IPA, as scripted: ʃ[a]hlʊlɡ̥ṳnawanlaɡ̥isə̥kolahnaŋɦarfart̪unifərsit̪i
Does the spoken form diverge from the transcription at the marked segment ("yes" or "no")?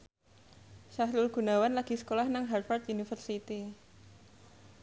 no